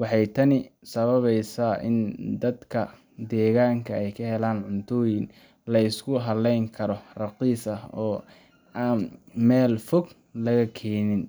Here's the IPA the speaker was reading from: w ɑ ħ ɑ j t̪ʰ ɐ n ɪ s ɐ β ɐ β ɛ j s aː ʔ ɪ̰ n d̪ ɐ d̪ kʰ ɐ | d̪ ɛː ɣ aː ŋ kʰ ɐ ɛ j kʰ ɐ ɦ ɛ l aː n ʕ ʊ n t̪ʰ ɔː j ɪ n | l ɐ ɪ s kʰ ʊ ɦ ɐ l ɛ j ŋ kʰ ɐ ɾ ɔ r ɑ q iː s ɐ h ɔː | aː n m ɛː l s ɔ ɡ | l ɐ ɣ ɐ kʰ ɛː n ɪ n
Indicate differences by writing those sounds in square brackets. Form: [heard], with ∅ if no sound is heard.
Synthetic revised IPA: w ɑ ħ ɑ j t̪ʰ ɐ n ɪ s ɐ β ɐ β ɛ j s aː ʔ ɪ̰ n d̪ ɐ d̪ kʰ ɐ | d̪ ɛː ɣ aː ŋ kʰ ɐ ɛ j kʰ ɐ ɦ ɛ l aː n ʕ ʊ n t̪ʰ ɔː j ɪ n | l ɐ ɪ s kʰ ʊ ɦ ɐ l ɛ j ŋ kʰ ɐ ɾ ɔ r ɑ q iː s ɐ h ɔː | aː n m ɛː l [f] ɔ ɡ | l ɐ ɣ ɐ kʰ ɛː n ɪ n